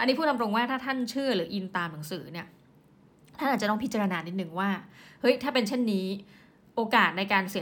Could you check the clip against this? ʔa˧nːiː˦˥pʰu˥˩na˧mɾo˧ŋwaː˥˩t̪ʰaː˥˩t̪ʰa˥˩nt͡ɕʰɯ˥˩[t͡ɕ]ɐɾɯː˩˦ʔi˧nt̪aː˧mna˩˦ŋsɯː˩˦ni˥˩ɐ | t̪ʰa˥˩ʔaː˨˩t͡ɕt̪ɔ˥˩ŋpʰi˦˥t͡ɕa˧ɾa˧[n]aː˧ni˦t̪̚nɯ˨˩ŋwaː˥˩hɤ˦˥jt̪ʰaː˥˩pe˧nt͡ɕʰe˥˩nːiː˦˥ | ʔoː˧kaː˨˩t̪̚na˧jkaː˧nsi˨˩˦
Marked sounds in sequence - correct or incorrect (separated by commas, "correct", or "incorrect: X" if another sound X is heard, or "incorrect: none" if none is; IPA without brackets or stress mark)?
incorrect: none, correct